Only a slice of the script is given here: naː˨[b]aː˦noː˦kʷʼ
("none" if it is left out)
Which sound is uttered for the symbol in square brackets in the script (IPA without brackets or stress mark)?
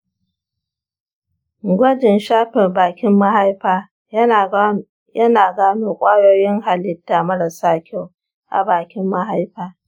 ɡ